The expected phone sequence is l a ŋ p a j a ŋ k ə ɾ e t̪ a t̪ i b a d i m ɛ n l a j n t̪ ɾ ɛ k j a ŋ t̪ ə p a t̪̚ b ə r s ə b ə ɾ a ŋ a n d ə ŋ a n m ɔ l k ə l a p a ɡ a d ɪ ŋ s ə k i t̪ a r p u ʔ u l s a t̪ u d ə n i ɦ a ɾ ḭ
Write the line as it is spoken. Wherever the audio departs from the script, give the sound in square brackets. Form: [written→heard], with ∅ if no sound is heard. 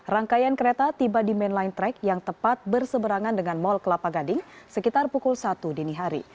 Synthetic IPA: [l→r] a ŋ [p→k] a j a [ŋ→n] k ə ɾ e t̪ a t̪ i b a d i m ɛ n l a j n t̪ ɾ ɛ k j a ŋ t̪ ə p a t̪̚ b ə r s ə b ə ɾ a ŋ a n d ə ŋ a n m ɔ l k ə l a p a ɡ a d ɪ ŋ s ə k i t̪ a r p u [ʔ→k] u l s a t̪ u d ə n i ɦ a ɾ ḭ